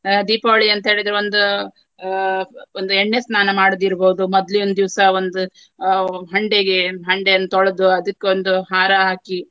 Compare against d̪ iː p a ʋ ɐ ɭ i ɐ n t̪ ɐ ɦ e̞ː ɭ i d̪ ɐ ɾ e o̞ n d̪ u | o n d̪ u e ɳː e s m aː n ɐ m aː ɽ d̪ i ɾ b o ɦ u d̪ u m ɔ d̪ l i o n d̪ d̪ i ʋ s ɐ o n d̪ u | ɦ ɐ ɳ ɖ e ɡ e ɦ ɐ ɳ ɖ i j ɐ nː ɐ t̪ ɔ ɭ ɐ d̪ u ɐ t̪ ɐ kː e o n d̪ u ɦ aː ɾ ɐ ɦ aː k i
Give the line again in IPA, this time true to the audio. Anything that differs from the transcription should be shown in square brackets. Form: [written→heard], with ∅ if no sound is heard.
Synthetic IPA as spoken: d̪ iː p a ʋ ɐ ɭ i ɐ n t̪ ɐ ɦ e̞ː ɭ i d̪ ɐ ɾ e o̞ n d̪ u | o n d̪ u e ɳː e s [m→n] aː n ɐ m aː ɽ d̪ i ɾ b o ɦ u d̪ u m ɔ d̪ l i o n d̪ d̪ i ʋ s ɐ o n d̪ u | ɦ ɐ ɳ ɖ e ɡ e ɦ ɐ ɳ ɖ [i→e] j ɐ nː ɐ t̪ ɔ ɭ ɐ d̪ u ɐ [t̪→d̪] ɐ kː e o n d̪ u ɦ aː ɾ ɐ ɦ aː k i

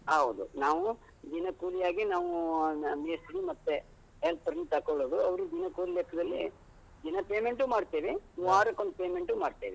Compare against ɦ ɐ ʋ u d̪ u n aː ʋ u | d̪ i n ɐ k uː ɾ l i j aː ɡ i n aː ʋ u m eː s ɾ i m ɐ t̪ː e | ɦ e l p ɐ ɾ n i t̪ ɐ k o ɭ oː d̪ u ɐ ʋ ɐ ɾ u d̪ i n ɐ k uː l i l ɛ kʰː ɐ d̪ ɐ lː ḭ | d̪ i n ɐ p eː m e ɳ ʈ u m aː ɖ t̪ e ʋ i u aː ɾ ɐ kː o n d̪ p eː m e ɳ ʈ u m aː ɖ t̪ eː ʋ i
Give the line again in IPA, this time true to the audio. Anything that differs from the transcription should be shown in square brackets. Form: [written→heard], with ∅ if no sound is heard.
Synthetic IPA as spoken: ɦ ɐ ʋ u d̪ u n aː ʋ u | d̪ i n ɐ k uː [ɾ→∅] l i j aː ɡ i n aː ʋ u m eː s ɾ i m ɐ t̪ː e | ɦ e l p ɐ ɾ n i t̪ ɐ k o ɭ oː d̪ u ɐ ʋ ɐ ɾ u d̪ i n ɐ k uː l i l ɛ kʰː ɐ d̪ ɐ lː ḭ | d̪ i n ɐ p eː m e ɳ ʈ u m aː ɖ t̪ e ʋ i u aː ɾ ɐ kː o n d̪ p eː m e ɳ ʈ u m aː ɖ t̪ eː ʋ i

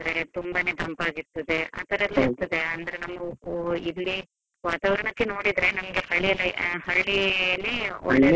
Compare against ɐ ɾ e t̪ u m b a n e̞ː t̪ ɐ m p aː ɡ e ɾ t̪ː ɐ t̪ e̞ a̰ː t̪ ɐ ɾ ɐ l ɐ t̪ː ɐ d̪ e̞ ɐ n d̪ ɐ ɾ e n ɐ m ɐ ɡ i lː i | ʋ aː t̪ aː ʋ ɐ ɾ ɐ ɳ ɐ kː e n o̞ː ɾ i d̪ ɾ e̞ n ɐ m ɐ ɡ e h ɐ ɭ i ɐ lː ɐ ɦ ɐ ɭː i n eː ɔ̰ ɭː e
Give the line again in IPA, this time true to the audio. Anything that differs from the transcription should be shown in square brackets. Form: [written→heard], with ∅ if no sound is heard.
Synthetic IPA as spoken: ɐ ɾ e t̪ u m b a n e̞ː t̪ ɐ m p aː ɡ [e→i] ɾ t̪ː ɐ [t̪→d̪] e̞ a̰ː t̪ ɐ ɾ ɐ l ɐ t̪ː ɐ d̪ e̞ ɐ n d̪ ɐ ɾ e n ɐ m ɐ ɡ i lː i | ʋ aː t̪ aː ʋ ɐ ɾ ɐ ɳ ɐ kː e n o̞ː [ɾ→ɽ] i d̪ ɾ e̞ n ɐ m ɐ ɡ e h ɐ ɭ i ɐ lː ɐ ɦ ɐ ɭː i n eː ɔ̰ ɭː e

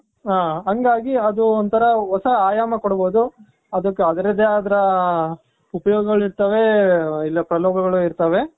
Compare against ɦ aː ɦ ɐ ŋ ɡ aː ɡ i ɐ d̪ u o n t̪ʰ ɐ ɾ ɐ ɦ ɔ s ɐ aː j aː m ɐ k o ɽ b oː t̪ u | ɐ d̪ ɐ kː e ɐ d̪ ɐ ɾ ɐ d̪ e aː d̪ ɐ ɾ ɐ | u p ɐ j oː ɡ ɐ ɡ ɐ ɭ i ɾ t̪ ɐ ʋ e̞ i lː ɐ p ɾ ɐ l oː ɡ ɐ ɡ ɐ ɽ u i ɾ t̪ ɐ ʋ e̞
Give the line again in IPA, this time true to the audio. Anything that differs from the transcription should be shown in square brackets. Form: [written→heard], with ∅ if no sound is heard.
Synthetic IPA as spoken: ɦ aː ɦ ɐ ŋ ɡ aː ɡ i ɐ d̪ u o n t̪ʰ ɐ ɾ ɐ ɦ ɔ s ɐ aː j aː m ɐ k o ɽ b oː [t̪→d̪] u | ɐ d̪ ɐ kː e ɐ d̪ ɐ ɾ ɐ d̪ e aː d̪ ɐ ɾ ɐ | u p ɐ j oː ɡ ɐ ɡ ɐ ɭ i ɾ t̪ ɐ ʋ e̞ i lː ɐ p ɾ ɐ l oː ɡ ɐ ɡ ɐ [ɽ→ɭ] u i ɾ t̪ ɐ ʋ e̞

